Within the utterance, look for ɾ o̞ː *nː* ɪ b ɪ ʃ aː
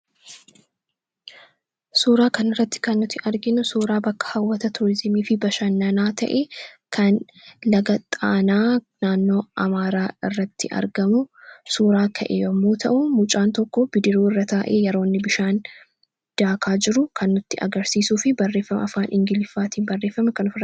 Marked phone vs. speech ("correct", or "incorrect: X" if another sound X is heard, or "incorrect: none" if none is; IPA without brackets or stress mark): correct